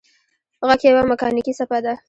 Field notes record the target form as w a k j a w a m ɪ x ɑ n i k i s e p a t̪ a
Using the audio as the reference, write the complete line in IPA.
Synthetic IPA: ɣ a k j a w a m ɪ k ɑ n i k i s a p a d̪ a